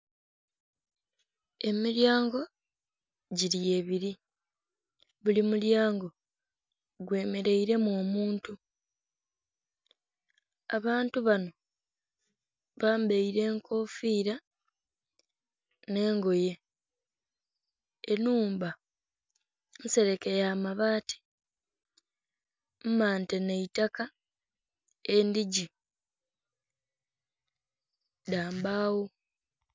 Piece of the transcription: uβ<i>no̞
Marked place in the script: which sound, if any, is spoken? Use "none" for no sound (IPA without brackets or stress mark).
a